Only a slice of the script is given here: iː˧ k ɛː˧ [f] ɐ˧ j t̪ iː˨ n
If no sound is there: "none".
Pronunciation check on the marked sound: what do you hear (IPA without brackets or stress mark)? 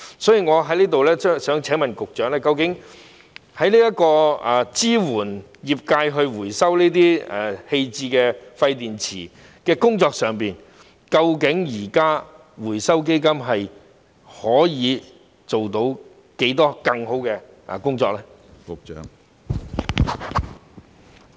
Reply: f